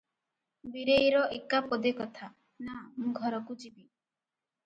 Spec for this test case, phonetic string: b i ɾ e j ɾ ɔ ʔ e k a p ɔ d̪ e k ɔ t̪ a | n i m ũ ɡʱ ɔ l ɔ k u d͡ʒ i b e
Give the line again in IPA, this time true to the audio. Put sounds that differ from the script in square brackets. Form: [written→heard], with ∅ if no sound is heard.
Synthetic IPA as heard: b i ɾ e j ɾ ɔ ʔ e k a p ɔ d̪ e k ɔ [t̪→t̪ʰ] a | n [i→a] m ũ ɡʱ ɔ [l→ɾ] ɔ k u d͡ʒ i b [e→i]